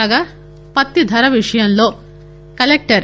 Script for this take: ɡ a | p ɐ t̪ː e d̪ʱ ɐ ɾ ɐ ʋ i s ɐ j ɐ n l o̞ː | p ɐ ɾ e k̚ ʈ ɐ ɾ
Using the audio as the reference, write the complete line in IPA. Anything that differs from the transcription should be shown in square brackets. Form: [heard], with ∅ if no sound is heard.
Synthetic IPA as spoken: ɡ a | p ɐ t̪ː [i] d̪ʱ ɐ ɾ ɐ ʋ i [ʂ] ɐ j ɐ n l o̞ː | [k] ɐ [l] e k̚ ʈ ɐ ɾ